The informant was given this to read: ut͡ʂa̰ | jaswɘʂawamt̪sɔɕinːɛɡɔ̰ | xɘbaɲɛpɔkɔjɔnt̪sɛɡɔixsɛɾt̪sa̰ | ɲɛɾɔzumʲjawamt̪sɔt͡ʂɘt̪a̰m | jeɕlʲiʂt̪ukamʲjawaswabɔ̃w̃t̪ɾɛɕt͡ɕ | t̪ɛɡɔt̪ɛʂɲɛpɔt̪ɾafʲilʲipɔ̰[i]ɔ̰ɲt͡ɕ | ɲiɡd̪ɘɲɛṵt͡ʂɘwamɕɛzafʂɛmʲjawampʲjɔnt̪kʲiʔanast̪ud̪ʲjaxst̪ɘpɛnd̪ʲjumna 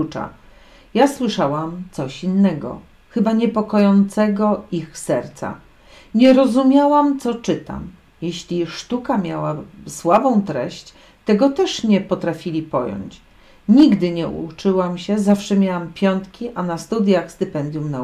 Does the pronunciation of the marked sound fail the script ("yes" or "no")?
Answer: yes